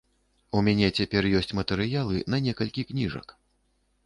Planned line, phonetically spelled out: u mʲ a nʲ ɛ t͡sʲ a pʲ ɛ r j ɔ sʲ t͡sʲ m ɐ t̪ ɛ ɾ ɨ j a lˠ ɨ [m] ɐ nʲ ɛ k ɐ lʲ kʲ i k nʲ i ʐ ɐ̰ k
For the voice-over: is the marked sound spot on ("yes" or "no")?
no